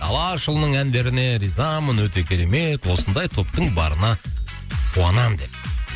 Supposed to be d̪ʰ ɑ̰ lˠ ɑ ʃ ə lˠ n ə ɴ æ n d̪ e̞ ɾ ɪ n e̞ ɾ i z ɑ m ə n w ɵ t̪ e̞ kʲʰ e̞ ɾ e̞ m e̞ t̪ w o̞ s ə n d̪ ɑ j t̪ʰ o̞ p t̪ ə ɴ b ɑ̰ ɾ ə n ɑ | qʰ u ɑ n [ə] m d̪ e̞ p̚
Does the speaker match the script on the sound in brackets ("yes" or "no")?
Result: no